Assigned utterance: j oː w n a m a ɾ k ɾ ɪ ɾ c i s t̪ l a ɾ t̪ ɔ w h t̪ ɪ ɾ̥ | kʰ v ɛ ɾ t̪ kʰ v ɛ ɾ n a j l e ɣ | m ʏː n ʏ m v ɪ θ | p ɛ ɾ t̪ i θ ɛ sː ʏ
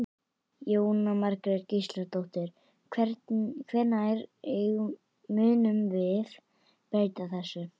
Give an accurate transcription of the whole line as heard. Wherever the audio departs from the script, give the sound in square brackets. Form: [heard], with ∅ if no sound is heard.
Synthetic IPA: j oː w n a m a ɾ k ɾ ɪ ɾ c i s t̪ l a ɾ t̪ [o] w h t̪ ɪ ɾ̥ | kʰ v ɛ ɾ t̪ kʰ v ɛ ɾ n a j [ɾ] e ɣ | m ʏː n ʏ m v ɪ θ | p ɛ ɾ t̪ [a] θ ɛ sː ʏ